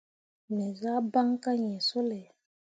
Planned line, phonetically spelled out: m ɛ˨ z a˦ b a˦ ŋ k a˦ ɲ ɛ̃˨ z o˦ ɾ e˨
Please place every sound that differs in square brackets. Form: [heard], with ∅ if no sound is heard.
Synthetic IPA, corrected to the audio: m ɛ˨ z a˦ b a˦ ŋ k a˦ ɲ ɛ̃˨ [s] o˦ [l] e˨